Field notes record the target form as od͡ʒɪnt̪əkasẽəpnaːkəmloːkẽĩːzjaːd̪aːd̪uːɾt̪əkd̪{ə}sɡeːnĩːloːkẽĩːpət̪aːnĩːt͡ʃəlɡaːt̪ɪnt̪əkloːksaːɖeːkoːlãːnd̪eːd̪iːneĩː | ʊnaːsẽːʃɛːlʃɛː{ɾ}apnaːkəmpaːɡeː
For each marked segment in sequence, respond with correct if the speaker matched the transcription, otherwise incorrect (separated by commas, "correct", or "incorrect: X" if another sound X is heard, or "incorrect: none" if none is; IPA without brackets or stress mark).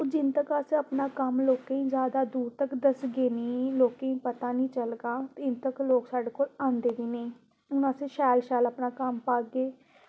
correct, incorrect: l